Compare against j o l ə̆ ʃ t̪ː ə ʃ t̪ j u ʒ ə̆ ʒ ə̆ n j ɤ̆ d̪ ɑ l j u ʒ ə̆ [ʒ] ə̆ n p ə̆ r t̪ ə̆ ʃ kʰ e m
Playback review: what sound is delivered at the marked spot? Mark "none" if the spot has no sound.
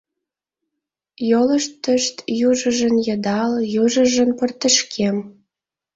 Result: ʒ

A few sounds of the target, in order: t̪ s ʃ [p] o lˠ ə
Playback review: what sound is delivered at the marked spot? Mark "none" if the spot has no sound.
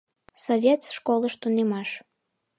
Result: k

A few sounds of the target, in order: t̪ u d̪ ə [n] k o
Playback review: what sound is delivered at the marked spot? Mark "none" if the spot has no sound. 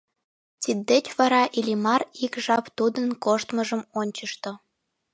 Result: n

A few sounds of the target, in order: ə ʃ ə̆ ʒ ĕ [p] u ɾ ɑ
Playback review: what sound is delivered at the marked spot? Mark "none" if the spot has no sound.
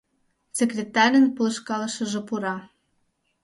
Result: p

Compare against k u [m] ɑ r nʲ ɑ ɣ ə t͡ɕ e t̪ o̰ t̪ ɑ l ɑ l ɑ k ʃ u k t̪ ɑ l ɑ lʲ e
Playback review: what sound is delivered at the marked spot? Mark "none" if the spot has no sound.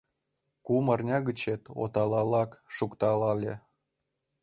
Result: m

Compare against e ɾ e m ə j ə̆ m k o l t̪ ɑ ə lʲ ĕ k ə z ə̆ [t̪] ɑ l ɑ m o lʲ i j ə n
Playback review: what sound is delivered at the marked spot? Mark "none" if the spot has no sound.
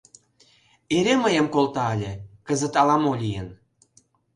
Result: t̪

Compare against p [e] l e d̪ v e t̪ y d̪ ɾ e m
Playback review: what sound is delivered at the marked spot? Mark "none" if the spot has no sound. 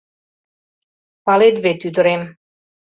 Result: a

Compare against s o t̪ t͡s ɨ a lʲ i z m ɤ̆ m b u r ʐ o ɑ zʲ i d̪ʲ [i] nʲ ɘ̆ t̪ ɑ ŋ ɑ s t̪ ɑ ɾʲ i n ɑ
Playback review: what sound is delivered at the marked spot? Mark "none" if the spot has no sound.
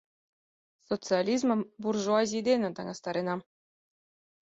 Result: e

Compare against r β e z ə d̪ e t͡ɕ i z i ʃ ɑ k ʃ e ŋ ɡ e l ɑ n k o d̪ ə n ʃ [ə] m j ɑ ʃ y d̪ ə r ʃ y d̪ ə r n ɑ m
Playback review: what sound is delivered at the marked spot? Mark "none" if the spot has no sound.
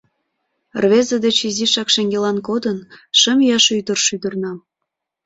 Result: ə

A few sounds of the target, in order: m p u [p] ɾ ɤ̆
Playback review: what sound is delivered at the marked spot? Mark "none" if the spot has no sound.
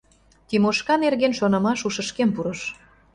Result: none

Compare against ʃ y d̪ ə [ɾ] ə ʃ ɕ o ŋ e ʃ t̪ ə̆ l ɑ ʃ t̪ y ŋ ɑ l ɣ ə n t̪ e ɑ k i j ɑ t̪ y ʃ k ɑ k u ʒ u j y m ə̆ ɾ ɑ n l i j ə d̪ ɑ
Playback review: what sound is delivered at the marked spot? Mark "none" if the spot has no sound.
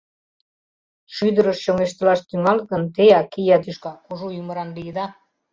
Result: ɾ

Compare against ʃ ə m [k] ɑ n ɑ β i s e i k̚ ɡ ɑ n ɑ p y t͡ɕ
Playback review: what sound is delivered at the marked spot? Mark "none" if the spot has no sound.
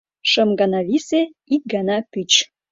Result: ɡ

